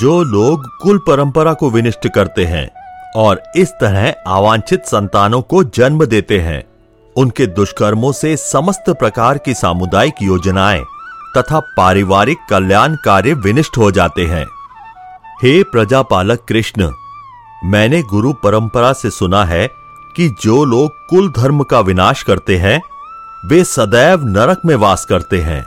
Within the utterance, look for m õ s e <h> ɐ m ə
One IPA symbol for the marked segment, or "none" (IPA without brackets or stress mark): s